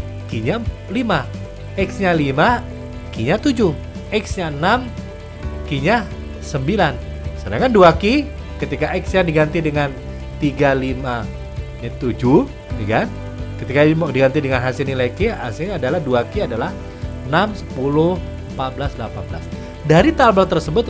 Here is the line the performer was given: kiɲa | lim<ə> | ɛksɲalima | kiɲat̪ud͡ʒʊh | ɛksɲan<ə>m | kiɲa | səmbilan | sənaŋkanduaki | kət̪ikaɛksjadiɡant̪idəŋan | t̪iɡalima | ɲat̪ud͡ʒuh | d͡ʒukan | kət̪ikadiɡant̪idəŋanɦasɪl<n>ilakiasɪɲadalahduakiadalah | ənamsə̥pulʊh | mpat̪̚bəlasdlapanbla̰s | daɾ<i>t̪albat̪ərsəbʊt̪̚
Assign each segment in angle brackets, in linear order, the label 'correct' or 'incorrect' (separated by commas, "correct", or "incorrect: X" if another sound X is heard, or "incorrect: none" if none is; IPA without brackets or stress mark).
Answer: incorrect: a, incorrect: a, correct, correct